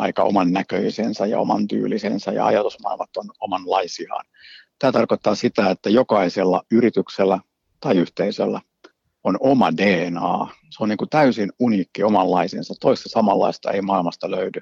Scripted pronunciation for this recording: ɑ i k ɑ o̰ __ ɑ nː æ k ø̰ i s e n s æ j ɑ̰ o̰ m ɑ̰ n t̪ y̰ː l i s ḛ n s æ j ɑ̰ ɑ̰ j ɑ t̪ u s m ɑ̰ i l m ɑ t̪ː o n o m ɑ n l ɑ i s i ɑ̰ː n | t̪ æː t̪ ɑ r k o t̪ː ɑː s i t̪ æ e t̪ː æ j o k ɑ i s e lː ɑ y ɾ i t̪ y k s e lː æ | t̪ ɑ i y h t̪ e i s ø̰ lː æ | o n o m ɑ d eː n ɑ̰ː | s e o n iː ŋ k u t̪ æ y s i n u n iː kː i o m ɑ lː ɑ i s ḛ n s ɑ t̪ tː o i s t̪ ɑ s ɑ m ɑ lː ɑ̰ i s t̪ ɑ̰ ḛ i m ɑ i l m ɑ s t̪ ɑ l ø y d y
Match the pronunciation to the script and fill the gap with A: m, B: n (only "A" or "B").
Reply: A